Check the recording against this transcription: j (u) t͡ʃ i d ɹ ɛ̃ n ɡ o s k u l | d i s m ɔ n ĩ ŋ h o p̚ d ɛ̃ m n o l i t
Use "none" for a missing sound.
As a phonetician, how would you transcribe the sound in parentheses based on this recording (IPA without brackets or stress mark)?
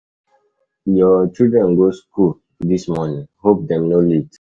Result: ɔ